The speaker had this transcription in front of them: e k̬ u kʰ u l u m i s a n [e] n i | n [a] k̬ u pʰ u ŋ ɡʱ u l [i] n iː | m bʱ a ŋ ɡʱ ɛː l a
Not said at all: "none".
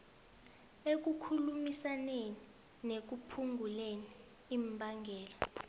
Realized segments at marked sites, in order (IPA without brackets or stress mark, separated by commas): e, e, e